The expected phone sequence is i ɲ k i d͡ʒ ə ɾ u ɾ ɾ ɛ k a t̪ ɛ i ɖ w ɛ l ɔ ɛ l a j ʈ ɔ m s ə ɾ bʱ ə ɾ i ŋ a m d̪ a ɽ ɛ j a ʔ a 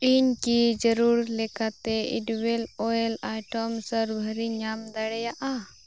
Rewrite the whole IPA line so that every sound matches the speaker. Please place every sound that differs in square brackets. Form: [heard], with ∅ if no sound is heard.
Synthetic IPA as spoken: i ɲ k i d͡ʒ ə ɾ u ɾ [l] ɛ k a t̪ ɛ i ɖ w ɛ l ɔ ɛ l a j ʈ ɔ m s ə ɾ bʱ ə ɾ i [ɲ] a m d̪ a ɽ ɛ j a ʔ a